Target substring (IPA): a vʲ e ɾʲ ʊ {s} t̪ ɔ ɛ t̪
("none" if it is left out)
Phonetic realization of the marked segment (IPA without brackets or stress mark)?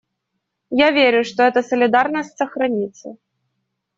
ʂ